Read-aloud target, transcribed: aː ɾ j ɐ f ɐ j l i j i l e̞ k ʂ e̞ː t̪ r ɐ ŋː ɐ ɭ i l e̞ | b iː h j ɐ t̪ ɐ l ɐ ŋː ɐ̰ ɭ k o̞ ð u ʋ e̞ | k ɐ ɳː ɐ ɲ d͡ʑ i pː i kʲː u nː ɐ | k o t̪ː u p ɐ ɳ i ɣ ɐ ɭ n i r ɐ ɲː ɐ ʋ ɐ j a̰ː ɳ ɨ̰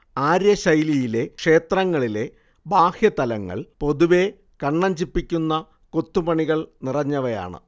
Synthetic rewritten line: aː ɾ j ɐ ɕ ɐ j l i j i l e̞ k ʂ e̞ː t̪ r ɐ ŋː ɐ ɭ i l e̞ | b aː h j ɐ t̪ ɐ l ɐ ŋː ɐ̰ ɭ p o̞ ð u ʋ e̞ | k ɐ ɳː ɐ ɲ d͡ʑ i pː i kʲː u nː ɐ | k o t̪ː u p ɐ ɳ i ɣ ɐ ɭ n i r ɐ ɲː ɐ ʋ ɐ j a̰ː ɳ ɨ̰